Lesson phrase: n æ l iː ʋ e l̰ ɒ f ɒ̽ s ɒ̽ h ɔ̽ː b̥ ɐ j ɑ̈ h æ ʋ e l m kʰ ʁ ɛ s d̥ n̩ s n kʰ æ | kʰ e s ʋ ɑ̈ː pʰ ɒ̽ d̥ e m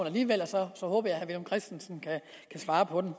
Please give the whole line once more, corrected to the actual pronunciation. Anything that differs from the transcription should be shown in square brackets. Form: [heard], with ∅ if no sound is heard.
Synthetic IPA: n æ l iː ʋ e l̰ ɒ [s] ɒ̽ s ɒ̽ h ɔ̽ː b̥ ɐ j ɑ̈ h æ ʋ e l m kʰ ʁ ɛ s d̥ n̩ s n kʰ æ | kʰ [æ] s ʋ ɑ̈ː pʰ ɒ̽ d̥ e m